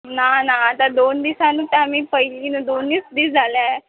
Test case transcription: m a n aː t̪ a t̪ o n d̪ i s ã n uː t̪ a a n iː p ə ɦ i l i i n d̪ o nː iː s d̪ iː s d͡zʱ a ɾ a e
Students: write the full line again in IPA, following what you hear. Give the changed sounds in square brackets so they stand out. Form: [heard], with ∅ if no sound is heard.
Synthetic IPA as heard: [n] a n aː t̪ a [d̪] o n d̪ i s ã n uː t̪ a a [m] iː p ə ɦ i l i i n d̪ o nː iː s d̪ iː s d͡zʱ a [l] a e